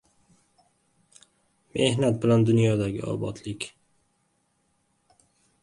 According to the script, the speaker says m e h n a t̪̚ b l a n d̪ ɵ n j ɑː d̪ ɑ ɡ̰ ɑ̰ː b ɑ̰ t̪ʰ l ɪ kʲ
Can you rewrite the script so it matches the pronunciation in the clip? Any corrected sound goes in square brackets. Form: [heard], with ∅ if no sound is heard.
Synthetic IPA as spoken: m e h n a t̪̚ b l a n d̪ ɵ n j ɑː d̪ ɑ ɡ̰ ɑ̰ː b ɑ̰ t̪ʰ l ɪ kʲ